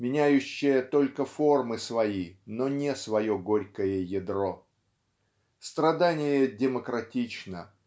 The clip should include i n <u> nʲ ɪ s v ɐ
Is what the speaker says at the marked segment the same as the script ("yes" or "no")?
no